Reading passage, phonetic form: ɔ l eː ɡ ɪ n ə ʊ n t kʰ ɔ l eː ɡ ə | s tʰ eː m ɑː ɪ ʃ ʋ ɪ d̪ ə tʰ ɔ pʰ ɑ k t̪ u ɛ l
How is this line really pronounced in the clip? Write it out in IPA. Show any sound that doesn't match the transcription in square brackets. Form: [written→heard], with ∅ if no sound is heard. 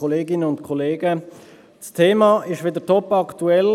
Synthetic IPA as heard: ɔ l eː ɡ ɪ n ə ʊ n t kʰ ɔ l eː ɡ ə | s tʰ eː m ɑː ɪ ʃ ʋ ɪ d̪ ə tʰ ɔ [pʰ→p] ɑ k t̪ u ɛ l

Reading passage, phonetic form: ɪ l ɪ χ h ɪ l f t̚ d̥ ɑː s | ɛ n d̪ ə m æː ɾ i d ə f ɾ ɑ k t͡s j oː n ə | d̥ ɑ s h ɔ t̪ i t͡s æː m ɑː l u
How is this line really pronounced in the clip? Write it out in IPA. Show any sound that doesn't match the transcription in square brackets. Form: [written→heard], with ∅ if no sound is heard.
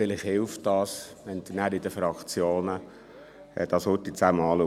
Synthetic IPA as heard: ɪ l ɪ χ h ɪ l f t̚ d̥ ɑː s | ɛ n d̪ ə [m→n] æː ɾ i d ə f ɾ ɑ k t͡s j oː n ə | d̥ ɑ s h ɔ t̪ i t͡s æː m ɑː l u

